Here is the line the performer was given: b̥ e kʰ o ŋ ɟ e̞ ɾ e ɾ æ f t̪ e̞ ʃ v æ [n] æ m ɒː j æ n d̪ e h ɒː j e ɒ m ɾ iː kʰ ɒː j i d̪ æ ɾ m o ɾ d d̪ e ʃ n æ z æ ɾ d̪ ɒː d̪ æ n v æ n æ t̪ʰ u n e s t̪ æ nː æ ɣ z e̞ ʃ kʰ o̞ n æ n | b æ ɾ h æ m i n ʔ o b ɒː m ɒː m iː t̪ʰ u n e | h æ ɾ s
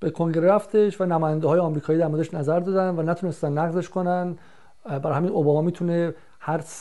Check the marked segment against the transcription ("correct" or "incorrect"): correct